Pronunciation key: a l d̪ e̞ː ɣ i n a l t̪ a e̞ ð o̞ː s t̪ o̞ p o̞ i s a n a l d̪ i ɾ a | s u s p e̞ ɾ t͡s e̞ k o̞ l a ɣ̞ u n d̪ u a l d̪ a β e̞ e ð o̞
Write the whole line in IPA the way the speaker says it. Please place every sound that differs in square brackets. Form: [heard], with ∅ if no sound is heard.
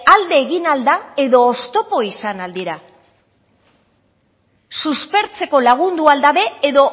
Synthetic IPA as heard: a l d̪ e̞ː ɣ i n a l [d̪] a e̞ ð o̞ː s t̪ o̞ p o̞ i s a n a l d̪ i ɾ a | s u s p e̞ ɾ t͡s e̞ k o̞ l a ɣ̞ u n d̪ u a l d̪ a β e̞ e ð o̞